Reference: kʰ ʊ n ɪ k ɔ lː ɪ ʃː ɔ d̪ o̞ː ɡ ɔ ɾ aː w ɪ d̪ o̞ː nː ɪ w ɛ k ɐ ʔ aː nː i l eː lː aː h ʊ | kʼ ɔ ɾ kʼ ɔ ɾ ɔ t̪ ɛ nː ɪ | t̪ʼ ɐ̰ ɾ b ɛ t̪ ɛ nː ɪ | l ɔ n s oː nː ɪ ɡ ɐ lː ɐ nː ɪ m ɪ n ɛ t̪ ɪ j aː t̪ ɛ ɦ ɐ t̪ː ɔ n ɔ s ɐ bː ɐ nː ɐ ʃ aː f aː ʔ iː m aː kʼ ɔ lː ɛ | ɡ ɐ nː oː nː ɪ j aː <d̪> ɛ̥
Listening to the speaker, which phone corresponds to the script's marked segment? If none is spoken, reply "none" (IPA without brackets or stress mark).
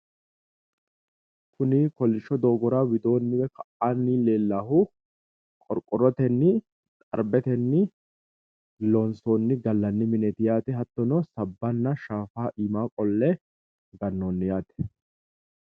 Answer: t̪